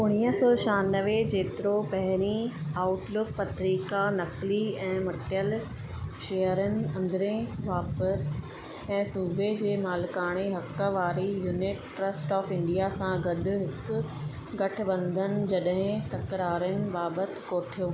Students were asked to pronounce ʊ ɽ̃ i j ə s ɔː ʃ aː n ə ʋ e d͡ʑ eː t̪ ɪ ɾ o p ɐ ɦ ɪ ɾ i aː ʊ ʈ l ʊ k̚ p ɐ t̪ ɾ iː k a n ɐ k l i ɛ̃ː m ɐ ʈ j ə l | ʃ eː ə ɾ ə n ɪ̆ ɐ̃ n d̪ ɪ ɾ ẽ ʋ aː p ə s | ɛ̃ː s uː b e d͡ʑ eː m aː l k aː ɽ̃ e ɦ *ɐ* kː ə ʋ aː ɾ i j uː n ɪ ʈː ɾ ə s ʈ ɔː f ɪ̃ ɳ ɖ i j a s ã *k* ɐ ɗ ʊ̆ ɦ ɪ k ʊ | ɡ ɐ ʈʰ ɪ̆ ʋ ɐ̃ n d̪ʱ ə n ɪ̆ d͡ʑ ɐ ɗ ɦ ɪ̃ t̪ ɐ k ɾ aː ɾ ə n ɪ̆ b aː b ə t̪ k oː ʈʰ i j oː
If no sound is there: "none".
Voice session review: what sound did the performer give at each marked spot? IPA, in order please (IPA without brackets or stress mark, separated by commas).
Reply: ɐ, ɡ